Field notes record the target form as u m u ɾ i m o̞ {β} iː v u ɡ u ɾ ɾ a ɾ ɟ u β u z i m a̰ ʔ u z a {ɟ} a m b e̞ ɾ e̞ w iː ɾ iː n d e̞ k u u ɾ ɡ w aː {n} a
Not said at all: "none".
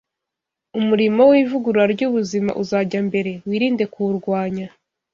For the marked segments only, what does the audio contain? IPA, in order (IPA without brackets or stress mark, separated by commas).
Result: w, ɟ, ɲ